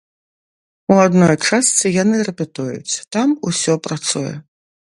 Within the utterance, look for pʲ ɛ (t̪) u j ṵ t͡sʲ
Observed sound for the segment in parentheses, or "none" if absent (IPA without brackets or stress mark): t̪